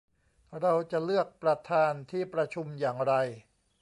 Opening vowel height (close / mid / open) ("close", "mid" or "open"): open